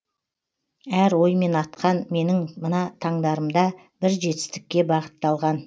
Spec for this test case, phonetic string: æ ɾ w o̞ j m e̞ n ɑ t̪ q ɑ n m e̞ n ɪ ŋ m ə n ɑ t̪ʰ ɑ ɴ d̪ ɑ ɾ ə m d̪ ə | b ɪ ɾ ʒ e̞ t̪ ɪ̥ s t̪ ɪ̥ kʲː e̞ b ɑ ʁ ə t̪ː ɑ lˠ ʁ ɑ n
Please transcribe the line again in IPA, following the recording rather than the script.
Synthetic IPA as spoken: æ ɾ w o̞ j m e̞ n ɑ t̪ q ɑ n m e̞ n ɪ ŋ m ə n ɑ t̪ʰ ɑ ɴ d̪ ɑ ɾ ə m d̪ ɑ | b ɪ ɾ ʒ e̞ t̪ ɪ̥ s t̪ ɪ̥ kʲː e̞ b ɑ ʁ ə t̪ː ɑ lˠ ʁ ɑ n